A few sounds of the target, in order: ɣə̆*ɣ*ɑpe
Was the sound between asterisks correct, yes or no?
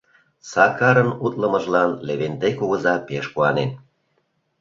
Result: no